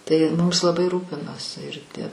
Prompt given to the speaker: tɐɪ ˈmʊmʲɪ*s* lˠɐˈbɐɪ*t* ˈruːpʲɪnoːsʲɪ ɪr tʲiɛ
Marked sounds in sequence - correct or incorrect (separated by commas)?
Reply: correct, incorrect